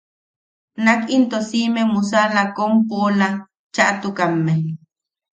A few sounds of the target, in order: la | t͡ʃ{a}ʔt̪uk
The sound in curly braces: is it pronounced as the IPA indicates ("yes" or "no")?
yes